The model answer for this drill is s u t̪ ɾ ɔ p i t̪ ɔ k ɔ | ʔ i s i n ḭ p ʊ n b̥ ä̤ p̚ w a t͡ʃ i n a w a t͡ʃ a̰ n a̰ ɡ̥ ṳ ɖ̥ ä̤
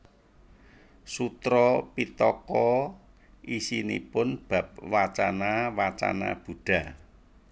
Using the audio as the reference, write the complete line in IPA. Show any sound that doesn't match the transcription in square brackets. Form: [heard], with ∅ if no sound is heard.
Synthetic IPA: s u t̪ ɾ ɔ p i t̪ ɔ k ɔ | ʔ i s i n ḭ p ʊ n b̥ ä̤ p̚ w a t͡ʃ [a] n a w a t͡ʃ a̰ n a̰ [b̥] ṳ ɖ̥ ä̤